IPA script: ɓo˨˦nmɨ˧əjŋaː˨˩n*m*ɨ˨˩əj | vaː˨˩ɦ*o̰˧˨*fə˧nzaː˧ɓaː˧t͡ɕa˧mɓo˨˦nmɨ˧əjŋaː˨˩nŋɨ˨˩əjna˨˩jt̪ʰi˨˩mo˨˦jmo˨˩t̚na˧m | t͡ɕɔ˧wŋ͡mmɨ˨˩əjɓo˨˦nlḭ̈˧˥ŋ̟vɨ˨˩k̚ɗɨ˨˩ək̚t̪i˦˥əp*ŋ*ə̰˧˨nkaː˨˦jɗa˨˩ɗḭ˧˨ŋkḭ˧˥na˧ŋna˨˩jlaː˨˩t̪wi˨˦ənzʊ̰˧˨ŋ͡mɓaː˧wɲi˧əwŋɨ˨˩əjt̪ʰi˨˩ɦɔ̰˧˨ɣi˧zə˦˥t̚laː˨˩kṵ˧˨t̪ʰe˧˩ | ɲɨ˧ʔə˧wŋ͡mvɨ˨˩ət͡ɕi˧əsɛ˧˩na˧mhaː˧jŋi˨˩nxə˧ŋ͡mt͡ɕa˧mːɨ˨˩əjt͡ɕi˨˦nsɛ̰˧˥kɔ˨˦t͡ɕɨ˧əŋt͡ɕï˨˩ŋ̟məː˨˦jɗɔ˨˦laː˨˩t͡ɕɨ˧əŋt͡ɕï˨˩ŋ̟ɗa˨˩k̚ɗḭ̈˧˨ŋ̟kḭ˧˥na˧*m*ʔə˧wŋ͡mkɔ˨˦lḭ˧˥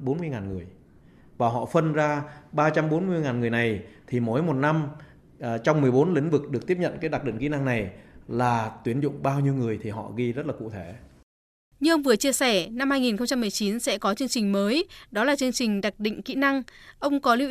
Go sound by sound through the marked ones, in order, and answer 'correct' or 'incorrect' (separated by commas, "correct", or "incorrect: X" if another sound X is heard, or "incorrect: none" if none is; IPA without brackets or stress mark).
incorrect: ŋ, incorrect: ɔ̰˧˨, incorrect: ɲ, incorrect: ŋ